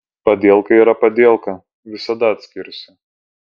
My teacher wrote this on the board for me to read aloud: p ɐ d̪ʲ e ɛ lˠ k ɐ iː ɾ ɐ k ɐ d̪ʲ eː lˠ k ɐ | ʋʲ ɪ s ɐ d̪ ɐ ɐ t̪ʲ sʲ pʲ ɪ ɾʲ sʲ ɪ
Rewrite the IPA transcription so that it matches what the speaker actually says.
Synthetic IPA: p ɐ d̪ʲ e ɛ lˠ k ɐ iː ɾ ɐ p ɐ d̪ʲ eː lˠ k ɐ | ʋʲ ɪ s ɐ d̪ ɐ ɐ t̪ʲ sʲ kʲ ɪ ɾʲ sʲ ɪ